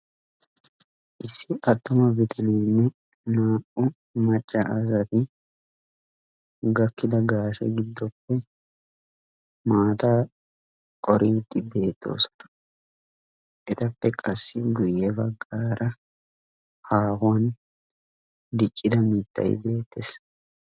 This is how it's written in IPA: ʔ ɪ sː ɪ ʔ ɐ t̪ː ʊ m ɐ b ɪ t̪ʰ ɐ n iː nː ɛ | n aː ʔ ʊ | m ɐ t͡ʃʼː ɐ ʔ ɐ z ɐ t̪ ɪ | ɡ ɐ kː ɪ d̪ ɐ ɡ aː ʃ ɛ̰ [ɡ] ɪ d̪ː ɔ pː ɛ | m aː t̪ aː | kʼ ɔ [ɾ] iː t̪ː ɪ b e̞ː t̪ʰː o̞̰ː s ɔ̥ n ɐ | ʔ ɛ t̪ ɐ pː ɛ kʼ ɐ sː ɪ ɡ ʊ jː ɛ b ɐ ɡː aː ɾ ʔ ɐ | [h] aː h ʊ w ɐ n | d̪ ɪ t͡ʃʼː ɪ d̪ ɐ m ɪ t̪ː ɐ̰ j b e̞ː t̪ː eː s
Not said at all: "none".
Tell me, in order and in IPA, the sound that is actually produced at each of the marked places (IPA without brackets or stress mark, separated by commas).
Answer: ɡ, ɾ, h